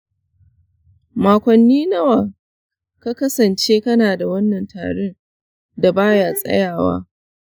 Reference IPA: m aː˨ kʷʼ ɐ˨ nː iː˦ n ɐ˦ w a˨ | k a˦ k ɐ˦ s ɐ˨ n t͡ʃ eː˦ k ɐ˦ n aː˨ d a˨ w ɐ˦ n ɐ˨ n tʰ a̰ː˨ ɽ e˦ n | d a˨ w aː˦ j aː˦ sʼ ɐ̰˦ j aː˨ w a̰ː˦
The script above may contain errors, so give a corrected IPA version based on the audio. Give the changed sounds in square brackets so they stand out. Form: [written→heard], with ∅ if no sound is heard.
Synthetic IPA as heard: m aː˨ [kʷʼ→kʷ] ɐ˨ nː iː˦ n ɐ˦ w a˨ | k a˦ k ɐ˦ s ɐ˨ n t͡ʃ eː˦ k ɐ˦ n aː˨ d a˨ w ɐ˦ [n→nː] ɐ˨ n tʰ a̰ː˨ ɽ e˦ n | d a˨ [w→b] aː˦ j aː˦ sʼ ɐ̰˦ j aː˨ w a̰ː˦